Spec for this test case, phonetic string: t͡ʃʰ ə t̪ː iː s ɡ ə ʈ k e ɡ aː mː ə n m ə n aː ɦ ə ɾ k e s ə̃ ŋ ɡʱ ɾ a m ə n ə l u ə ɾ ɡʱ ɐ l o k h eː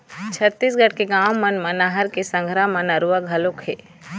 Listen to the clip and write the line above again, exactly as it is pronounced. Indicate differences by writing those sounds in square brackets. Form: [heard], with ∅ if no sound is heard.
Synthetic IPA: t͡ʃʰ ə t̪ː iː s ɡ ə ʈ k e ɡ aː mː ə n m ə n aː ɦ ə ɾ k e s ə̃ ŋ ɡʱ ɾ a m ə n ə [ɾ] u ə [∅] ɡʱ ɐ l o k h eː